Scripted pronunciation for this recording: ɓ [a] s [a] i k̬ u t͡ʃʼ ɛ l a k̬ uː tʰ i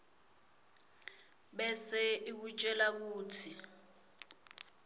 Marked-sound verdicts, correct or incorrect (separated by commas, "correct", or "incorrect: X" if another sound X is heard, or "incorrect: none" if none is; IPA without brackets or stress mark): incorrect: ɛ, incorrect: ɛ